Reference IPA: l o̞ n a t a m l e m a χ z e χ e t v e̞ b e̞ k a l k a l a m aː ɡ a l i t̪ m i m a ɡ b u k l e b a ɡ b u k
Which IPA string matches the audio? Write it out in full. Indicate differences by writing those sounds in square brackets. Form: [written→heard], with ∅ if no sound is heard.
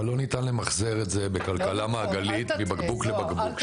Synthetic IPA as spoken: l o̞ n [a→i] t a [m→n] l e m a χ z e [χ→ʁ] e t [v→z] e̞ b e̞ k a l k a l a m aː ɡ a l i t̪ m i [m→b] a ɡ b u k l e b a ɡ b u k